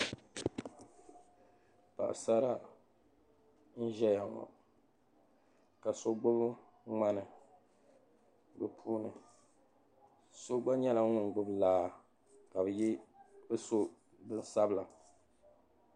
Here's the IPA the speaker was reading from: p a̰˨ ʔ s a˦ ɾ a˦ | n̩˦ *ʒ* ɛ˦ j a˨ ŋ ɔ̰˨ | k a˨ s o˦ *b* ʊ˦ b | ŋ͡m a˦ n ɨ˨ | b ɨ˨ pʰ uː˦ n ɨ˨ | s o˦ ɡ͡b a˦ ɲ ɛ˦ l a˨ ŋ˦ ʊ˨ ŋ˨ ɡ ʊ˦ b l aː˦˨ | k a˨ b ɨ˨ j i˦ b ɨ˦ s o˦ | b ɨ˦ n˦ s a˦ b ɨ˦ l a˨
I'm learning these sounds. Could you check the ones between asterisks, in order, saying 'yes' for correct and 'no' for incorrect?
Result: yes, no

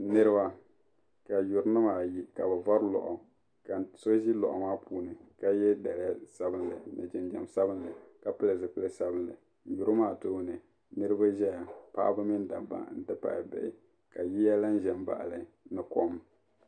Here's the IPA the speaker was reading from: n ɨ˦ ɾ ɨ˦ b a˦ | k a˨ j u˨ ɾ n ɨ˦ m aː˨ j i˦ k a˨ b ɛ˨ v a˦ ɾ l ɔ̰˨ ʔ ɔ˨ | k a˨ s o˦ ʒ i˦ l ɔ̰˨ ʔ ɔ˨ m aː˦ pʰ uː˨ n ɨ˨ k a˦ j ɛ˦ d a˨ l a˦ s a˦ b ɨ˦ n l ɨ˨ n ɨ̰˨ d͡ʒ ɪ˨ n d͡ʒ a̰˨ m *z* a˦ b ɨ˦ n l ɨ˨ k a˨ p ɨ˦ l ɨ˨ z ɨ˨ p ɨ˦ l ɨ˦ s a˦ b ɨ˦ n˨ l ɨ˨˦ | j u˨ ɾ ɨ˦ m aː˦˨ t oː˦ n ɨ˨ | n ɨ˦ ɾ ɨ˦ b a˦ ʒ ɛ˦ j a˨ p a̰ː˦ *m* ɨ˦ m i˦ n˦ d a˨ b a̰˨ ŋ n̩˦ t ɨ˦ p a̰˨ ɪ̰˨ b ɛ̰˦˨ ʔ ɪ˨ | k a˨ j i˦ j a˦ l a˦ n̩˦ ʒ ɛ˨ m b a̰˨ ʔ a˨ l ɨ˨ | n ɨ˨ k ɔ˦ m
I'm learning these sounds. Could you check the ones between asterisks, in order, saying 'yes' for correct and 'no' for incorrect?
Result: no, no

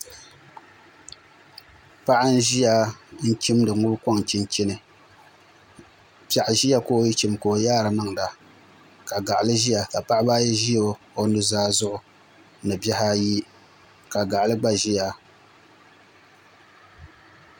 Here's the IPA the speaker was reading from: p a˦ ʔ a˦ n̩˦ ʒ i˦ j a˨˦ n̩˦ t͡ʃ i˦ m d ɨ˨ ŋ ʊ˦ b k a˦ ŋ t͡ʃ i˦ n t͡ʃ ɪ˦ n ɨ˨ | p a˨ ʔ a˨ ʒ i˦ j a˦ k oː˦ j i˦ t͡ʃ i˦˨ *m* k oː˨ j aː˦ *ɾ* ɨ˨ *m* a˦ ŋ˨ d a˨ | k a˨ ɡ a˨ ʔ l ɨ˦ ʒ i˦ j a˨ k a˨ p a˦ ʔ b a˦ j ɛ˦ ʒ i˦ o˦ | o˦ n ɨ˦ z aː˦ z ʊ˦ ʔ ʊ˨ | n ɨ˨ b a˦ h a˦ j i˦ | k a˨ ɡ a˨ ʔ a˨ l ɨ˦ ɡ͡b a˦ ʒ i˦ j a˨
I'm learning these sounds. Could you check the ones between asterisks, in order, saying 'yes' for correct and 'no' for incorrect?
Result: yes, yes, yes

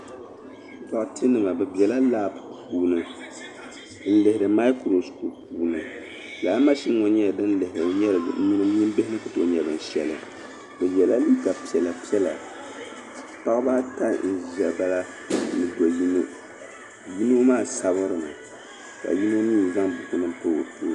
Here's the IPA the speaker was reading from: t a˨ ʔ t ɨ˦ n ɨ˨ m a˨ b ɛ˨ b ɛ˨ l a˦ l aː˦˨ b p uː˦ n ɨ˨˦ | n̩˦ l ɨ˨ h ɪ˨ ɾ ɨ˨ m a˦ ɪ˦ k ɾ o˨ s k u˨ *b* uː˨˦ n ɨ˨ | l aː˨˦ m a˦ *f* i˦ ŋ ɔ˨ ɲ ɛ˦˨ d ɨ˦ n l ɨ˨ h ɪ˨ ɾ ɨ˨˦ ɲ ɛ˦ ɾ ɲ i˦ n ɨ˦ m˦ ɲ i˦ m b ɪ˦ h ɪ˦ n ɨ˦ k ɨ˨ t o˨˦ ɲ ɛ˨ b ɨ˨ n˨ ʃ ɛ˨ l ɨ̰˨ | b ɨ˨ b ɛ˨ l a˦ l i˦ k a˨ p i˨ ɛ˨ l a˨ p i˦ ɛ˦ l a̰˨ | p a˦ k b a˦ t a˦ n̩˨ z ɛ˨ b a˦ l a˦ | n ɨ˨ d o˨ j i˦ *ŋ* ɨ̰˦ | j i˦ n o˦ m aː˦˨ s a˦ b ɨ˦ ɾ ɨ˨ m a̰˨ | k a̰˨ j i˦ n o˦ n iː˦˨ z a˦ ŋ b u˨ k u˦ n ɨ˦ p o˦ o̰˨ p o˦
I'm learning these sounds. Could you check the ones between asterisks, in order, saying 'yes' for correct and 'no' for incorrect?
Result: no, no, no

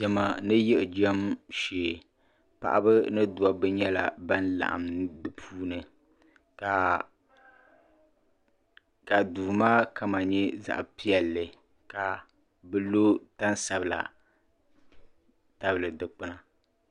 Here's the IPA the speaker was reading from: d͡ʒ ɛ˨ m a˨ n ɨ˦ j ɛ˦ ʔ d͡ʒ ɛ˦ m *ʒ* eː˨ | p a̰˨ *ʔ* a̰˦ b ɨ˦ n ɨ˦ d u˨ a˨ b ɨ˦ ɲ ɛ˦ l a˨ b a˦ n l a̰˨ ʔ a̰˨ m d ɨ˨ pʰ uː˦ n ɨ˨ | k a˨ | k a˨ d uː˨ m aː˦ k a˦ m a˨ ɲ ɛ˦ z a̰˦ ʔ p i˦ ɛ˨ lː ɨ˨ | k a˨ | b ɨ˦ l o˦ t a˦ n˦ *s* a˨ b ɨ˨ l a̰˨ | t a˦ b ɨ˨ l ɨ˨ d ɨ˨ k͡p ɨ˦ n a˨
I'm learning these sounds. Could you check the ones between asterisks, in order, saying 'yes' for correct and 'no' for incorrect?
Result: no, yes, yes

